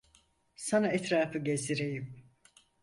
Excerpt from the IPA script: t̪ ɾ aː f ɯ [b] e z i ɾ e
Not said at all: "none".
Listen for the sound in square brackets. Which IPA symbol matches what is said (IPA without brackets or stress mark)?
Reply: ɟ